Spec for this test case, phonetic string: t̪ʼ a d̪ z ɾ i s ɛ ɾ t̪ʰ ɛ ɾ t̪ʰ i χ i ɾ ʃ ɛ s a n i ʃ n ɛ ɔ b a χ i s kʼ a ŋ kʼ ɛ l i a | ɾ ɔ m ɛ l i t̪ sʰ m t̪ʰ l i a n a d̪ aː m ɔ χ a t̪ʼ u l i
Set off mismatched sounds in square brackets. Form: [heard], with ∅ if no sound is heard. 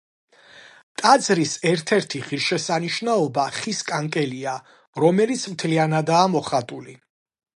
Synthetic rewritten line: t̪ʼ a d̪ z ɾ i s ɛ ɾ t̪ʰ ɛ ɾ t̪ʰ i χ i ɾ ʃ ɛ s a n i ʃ n [a] ɔ b a χ i s kʼ a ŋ kʼ ɛ l i a | ɾ ɔ m ɛ l i t̪ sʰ m t̪ʰ l i a n a d̪ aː m ɔ χ a t̪ʼ u l i

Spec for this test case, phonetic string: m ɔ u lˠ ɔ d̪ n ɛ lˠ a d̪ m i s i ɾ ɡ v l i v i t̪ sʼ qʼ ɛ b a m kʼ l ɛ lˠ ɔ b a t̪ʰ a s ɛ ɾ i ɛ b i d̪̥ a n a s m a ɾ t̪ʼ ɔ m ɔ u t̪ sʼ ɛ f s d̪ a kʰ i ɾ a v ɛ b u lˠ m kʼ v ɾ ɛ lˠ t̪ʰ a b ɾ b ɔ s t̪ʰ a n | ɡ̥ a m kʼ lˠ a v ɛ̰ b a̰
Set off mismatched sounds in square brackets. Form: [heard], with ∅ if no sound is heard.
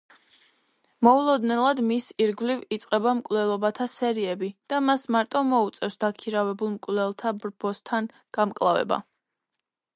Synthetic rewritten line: m ɔ u lˠ ɔ d̪ n ɛ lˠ a d̪ m i s i ɾ ɡ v l i v i t̪ sʼ qʼ ɛ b a m kʼ l ɛ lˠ ɔ b a t̪ʰ a s ɛ ɾ i ɛ b i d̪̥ a [m] a s m a ɾ t̪ʼ ɔ m ɔ u t̪ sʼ ɛ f s d̪ a kʰ i ɾ a v ɛ b u lˠ m kʼ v [l] ɛ lˠ t̪ʰ a b ɾ b ɔ s t̪ʰ a n | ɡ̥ a m kʼ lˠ a v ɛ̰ b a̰

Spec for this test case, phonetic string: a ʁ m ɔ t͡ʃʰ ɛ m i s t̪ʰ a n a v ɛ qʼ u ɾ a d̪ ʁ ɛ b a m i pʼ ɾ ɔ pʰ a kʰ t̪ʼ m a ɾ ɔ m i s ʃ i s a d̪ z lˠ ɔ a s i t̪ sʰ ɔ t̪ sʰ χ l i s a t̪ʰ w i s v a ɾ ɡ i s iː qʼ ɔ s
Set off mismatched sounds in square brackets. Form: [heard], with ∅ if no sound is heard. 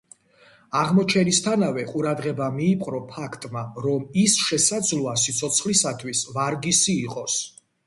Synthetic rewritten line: a ʁ m ɔ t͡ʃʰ ɛ [n] i s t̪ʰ a n a v ɛ qʼ u ɾ a d̪ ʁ ɛ b a m [iː] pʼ ɾ ɔ pʰ a kʰ t̪ʼ m a ɾ ɔ m i s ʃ [ɛ] s a d̪ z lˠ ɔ a s i t̪ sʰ ɔ t̪ sʰ χ l i s a t̪ʰ w i s v a ɾ ɡ i s iː qʼ ɔ s

